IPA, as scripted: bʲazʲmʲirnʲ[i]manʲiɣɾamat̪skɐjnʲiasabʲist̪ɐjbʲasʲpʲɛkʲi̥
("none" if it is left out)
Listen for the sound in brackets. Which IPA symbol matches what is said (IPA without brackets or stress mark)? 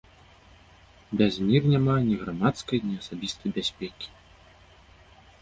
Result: a